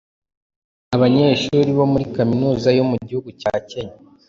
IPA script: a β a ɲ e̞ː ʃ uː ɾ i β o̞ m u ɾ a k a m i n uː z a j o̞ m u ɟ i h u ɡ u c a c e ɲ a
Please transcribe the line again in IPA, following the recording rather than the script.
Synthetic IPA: a β a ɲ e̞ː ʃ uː ɾ i β o̞ m u ɾ i k a m i n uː z a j o̞ m u ɟ i h u ɡ u c a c e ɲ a